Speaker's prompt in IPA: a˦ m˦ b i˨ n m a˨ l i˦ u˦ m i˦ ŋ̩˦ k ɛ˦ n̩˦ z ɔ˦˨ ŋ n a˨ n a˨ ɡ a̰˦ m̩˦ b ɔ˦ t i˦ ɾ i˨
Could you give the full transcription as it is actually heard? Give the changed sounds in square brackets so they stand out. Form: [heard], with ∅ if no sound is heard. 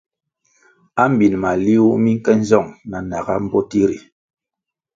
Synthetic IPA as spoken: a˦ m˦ b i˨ n m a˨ l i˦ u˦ m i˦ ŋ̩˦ k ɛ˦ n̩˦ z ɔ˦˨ ŋ n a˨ n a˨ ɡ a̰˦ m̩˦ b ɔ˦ t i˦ ɾ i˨